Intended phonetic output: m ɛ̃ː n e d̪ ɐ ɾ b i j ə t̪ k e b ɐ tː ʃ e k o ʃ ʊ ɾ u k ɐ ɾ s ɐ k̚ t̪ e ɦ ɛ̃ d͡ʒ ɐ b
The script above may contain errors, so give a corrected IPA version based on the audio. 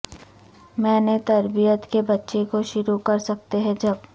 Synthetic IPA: m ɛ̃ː n e t̪ ɐ ɾ b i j ə t̪ k e b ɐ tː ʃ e k o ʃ ʊ ɾ u k ɐ ɾ s ɐ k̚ t̪ e ɦ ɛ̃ d͡ʒ ɐ b